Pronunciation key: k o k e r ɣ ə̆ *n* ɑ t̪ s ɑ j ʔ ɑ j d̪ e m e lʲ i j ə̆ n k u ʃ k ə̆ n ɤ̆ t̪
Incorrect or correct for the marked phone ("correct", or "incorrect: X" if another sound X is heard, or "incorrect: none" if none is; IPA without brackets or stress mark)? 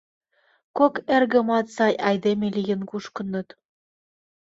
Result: incorrect: m